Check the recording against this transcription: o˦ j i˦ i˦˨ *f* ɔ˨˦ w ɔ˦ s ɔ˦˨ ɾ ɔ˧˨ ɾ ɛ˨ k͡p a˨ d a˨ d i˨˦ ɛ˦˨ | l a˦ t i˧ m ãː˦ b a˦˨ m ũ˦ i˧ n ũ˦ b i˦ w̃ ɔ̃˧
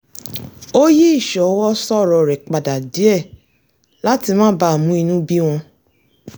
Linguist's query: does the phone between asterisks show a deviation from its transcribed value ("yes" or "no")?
yes